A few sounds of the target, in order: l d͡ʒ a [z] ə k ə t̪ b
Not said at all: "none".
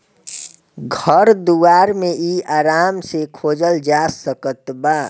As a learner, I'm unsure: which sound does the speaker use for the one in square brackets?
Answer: s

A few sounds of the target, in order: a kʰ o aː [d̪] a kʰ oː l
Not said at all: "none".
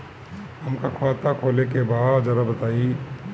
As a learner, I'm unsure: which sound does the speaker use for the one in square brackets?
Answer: t̪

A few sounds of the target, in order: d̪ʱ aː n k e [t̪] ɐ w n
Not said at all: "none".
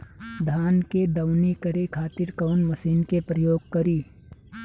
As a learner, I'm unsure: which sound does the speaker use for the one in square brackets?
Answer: d̪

